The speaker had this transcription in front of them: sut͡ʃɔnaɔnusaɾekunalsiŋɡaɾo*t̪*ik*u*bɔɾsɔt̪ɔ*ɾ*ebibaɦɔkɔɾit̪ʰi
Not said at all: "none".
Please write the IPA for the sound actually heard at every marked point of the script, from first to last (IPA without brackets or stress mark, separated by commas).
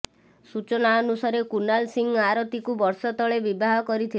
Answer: t̪, u, ɭ